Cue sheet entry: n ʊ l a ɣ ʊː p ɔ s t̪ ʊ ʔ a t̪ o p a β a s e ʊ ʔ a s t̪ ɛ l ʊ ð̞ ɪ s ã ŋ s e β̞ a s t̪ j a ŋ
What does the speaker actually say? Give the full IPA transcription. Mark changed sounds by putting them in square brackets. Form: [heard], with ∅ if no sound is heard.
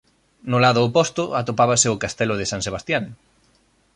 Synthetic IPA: n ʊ l a [ð] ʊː p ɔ s t̪ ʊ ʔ a t̪ o p a β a s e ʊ [k] a s t̪ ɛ l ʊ ð̞ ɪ s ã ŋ s e β̞ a s t̪ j a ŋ